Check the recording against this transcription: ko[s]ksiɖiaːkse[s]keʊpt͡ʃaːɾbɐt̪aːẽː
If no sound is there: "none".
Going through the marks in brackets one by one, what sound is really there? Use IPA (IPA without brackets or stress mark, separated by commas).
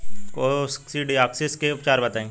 s, s